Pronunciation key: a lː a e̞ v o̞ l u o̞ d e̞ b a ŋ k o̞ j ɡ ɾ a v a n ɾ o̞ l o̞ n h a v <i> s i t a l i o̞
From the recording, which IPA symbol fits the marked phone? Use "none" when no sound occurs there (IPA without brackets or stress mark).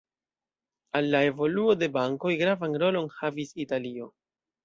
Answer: i